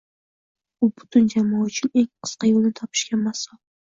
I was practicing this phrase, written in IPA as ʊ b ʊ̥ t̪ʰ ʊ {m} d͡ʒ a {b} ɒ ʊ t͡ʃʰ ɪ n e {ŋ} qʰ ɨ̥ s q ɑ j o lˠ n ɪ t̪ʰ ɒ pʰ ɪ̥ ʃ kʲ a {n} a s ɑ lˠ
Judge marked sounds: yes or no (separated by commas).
no, no, yes, no